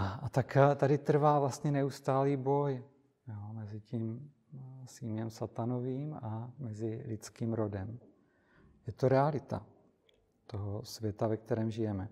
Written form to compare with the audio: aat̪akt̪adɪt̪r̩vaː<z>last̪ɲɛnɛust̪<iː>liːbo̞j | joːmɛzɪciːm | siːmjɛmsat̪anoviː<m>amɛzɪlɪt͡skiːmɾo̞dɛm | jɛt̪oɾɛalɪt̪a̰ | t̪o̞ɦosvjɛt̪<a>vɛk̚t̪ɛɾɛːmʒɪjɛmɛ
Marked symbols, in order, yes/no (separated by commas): no, no, yes, yes